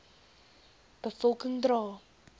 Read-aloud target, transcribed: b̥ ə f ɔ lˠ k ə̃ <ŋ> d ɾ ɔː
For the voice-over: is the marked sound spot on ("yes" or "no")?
yes